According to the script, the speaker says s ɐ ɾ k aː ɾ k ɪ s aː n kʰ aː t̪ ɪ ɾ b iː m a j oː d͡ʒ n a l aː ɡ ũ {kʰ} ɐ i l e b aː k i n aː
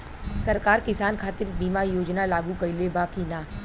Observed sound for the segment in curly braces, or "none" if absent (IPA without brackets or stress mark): k